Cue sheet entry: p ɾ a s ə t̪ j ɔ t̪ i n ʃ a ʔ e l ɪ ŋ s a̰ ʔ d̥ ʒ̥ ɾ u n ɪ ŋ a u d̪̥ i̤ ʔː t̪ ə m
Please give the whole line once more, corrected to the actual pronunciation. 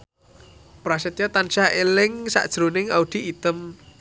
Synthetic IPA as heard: p ɾ a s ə t̪ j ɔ t̪ a n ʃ a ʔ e l ɪ ŋ s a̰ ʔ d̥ ʒ̥ ɾ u n ɪ ŋ a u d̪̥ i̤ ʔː t̪ ə m